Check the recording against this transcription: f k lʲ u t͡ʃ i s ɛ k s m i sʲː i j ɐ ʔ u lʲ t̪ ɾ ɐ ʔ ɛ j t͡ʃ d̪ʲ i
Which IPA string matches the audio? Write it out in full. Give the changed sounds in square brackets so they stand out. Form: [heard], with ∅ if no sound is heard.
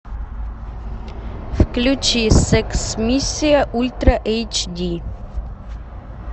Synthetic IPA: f k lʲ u t͡ʃ i s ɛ k s m i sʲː i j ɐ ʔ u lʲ t̪ ɾ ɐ ʔ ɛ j t͡ʃ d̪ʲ i